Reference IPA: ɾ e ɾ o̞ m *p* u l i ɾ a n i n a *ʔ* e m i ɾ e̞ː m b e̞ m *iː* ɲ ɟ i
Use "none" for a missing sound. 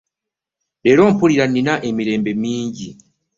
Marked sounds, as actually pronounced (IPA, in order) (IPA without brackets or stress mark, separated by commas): p, ʔ, iː